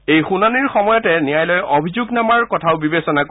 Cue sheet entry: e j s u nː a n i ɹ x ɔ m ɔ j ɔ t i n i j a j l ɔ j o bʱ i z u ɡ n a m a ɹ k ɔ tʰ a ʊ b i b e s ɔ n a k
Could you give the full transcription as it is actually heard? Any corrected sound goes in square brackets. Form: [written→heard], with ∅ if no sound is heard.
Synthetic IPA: e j [s→x] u [nː→n] a n i ɹ x ɔ m ɔ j ɔ t [i→ɛ] n i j a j l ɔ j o bʱ i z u ɡ n a m a ɹ k ɔ tʰ a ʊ b i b e s ɔ n a k